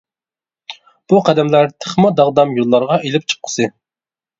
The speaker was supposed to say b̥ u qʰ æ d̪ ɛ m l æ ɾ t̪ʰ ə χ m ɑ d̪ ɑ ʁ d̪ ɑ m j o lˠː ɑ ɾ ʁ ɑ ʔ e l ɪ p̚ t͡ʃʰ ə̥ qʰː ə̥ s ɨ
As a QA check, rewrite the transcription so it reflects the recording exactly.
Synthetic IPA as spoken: b̥ u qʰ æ d̪ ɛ m l æ ɾ t̪ʰ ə χ m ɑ d̪ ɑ ʁ d̪ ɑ m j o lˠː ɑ ɾ ʁ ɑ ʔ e l ɪ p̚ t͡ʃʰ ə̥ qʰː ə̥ s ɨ